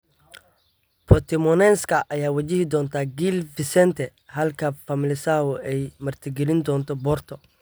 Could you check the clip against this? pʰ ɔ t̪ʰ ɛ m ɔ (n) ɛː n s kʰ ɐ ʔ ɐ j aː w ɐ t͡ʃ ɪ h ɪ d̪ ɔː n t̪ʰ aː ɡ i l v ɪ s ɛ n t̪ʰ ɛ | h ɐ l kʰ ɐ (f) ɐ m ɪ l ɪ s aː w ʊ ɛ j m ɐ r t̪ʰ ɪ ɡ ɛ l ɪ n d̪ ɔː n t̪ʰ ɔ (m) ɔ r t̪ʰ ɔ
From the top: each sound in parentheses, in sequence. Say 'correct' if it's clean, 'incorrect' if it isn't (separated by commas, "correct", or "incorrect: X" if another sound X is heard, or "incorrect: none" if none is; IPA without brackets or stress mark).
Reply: correct, correct, incorrect: b